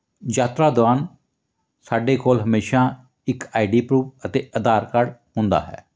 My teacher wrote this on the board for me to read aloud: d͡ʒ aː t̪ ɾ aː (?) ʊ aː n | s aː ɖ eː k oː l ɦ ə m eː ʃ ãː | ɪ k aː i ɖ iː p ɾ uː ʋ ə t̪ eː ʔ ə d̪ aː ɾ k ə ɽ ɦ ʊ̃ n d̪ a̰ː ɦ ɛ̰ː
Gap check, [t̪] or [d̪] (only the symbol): d̪